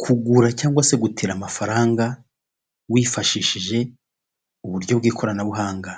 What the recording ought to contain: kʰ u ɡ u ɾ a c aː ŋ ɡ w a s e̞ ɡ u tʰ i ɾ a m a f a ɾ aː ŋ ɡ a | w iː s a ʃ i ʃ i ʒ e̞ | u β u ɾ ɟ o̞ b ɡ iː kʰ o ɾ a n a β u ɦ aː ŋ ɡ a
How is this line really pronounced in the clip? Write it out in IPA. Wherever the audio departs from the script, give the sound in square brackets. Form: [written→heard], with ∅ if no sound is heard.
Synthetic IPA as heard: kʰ u ɡ u ɾ a c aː ŋ ɡ w a s e̞ ɡ u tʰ i ɾ a m a f a ɾ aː ŋ ɡ a | w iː [s→f] a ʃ i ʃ i ʒ e̞ | u β u ɾ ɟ o̞ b ɡ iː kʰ o ɾ a n a β u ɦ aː ŋ ɡ a